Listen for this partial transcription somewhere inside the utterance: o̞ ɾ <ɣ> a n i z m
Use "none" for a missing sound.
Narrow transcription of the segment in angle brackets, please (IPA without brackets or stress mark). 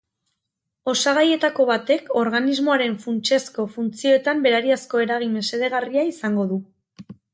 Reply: ɣ